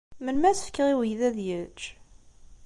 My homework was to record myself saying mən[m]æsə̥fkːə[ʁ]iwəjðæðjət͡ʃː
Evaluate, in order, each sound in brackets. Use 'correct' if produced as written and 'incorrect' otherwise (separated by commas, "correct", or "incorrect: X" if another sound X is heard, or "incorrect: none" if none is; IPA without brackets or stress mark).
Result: correct, correct